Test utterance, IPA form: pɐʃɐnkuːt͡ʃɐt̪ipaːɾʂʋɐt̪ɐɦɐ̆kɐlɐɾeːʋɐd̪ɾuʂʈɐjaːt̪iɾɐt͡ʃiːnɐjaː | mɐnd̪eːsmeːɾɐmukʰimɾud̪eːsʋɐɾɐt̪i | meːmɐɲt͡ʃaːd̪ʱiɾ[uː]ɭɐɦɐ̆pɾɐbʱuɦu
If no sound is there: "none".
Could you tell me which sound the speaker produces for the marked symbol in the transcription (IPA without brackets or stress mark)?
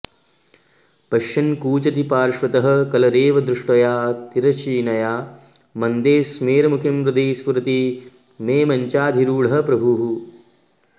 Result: uː